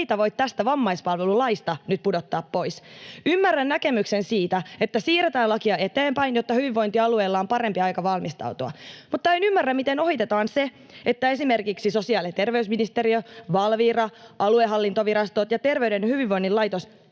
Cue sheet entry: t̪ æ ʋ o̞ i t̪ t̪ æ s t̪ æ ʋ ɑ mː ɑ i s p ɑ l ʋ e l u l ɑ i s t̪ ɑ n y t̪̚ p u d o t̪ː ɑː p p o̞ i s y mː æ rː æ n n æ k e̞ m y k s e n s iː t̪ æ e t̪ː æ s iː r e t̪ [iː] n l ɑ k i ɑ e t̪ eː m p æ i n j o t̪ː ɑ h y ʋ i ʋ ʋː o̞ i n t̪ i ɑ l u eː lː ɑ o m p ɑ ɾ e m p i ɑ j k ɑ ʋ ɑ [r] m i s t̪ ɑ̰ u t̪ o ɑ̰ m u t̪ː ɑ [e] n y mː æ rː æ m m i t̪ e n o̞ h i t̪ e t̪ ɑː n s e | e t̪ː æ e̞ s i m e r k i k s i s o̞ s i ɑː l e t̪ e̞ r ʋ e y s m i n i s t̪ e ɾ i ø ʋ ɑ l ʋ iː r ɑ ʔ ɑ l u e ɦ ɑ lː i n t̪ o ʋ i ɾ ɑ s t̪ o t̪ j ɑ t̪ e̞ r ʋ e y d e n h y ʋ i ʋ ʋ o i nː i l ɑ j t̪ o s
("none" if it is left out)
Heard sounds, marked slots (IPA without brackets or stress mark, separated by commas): æː, l, e